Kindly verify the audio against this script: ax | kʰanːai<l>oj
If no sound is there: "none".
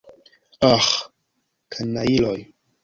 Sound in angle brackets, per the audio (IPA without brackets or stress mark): l